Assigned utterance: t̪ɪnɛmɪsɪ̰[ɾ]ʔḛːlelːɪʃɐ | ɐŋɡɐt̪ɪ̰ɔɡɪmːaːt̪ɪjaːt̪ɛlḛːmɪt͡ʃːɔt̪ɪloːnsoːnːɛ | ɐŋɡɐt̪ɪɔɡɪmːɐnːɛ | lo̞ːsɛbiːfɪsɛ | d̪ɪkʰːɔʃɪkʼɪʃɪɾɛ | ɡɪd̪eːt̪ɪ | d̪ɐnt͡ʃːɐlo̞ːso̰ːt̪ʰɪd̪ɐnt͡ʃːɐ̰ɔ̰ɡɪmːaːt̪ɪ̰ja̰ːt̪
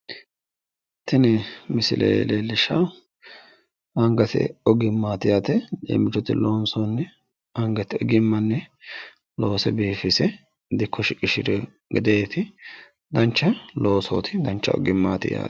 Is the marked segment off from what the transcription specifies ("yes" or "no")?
yes